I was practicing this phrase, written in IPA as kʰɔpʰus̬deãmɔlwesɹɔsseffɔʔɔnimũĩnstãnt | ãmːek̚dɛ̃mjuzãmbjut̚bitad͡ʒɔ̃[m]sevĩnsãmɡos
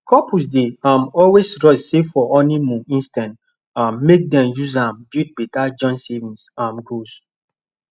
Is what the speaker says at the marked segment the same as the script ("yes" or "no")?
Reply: no